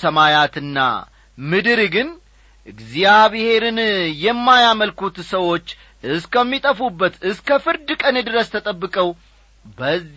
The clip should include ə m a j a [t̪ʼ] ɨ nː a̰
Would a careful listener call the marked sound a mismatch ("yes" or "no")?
yes